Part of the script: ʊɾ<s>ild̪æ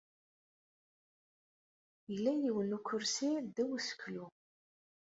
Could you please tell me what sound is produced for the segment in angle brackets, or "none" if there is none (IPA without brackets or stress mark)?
s